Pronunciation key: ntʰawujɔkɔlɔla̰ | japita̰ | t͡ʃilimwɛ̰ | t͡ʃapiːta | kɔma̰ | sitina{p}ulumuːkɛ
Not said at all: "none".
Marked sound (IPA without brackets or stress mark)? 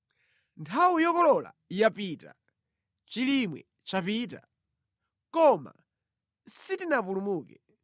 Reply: p